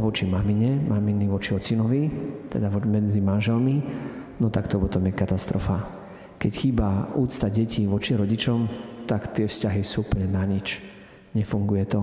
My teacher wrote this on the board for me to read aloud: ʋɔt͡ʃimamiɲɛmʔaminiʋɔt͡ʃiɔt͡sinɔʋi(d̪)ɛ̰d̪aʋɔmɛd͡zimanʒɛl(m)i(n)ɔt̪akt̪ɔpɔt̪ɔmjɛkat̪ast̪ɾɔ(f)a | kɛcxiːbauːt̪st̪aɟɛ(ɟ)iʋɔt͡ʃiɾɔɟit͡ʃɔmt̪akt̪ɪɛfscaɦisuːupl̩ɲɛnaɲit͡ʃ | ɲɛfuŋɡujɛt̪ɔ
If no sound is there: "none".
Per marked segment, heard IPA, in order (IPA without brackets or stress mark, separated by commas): t̪, m, n, f, c